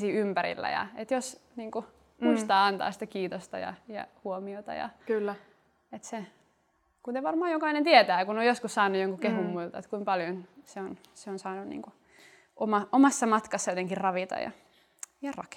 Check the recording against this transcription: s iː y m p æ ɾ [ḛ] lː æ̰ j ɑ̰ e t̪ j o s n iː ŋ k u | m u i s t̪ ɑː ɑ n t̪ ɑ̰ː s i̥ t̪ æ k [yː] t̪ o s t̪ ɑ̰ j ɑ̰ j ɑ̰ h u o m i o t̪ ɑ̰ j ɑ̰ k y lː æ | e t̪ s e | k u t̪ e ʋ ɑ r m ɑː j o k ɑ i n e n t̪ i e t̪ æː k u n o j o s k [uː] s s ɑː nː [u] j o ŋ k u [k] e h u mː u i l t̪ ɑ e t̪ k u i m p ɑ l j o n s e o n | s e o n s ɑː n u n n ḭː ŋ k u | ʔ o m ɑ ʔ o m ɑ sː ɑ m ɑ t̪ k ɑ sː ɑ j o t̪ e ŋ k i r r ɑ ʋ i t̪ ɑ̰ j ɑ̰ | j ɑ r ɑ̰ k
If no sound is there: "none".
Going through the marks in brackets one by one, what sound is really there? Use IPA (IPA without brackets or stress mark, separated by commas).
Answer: ḭ, iː, u, u, k